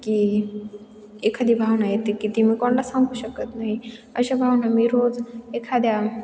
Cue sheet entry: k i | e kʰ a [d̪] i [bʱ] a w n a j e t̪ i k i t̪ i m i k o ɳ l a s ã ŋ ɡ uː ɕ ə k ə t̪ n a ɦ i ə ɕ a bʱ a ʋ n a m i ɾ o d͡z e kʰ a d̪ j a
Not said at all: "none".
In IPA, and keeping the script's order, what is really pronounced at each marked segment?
d̪, bʱ

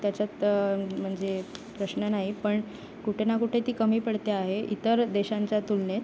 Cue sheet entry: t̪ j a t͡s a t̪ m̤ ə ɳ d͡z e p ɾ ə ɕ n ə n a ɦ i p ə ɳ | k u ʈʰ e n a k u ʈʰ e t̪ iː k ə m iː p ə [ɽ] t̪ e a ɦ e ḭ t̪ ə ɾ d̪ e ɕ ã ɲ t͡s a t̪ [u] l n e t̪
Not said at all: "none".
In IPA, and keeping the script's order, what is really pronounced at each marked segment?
ɽ, u

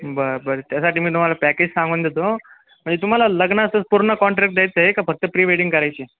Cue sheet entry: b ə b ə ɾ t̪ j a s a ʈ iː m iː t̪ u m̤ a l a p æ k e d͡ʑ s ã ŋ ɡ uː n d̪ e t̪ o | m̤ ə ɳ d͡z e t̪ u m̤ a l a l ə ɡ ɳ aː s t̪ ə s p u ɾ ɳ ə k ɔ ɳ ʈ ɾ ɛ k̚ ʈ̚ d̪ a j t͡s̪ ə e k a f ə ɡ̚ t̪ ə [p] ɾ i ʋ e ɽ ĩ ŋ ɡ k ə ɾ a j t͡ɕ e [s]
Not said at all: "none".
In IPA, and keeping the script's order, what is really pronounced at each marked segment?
p, none

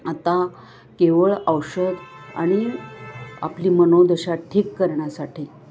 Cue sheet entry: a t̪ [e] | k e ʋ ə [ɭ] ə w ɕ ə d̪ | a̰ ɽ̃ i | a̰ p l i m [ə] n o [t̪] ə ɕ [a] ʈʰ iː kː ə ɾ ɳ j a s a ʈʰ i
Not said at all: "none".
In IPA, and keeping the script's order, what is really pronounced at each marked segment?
a, ɭ, ə, d̪, a

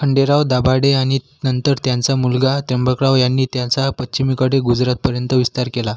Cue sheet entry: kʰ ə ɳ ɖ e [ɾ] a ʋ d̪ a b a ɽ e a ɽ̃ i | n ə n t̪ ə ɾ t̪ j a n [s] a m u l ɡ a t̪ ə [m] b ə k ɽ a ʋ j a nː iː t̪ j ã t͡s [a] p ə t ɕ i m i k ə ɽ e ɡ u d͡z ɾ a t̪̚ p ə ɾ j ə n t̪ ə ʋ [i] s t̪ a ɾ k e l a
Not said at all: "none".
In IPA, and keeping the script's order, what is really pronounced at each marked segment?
ɾ, t͡s, m, a, i

